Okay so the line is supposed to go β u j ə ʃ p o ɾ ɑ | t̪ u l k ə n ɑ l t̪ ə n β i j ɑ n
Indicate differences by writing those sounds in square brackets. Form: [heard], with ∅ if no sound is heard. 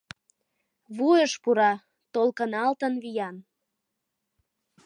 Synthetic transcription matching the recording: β u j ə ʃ p [u] ɾ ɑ | t̪ [o] l k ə n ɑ l t̪ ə n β i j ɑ n

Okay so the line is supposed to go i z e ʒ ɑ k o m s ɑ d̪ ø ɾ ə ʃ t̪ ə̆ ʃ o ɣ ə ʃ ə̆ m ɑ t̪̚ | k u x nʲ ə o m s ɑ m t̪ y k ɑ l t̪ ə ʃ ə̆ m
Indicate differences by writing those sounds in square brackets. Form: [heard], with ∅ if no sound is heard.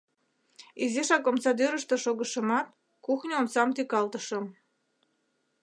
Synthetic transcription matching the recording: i z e [ʃ] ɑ k o m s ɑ d̪ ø ɾ ə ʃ t̪ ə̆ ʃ o ɣ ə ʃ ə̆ m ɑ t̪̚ | k u x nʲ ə o m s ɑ m t̪ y k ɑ l t̪ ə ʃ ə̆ m

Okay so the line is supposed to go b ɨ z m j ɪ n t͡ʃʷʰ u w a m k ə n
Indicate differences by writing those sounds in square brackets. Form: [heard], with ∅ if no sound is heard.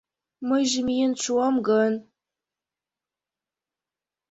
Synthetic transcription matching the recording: [m] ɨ [ʒ] m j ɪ n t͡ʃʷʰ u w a m [ɡ] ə n

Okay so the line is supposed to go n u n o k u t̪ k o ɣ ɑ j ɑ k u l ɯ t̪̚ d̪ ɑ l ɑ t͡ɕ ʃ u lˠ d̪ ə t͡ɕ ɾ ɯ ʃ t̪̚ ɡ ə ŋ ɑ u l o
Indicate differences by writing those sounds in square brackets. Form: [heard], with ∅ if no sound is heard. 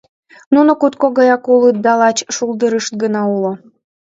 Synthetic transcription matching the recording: n u n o k u t̪ k o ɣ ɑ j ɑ k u l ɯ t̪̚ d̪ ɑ l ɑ t͡ɕ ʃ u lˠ d̪ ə [∅] ɾ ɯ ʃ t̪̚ ɡ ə [n] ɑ u l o

